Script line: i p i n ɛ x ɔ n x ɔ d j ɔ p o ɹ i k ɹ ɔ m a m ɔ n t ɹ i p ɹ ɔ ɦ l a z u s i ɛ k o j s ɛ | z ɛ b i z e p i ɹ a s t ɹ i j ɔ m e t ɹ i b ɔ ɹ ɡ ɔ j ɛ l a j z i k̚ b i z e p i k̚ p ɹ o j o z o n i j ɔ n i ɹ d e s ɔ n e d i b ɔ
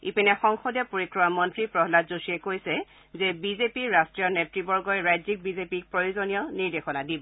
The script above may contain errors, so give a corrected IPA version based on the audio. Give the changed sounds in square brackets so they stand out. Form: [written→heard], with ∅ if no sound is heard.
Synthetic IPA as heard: i p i n ɛ x ɔ [n→ŋ] x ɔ d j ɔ p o ɹ i k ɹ ɔ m a m ɔ n t ɹ i p ɹ ɔ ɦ l a z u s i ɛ k o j s ɛ | z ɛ b i z e p i ɹ a s t ɹ i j ɔ [m→n] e t ɹ i b ɔ ɹ ɡ ɔ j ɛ [l→ɹ] a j z i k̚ b i z e p i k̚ p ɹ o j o z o n i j ɔ n i ɹ d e [s→x] ɔ n [e→a] d i b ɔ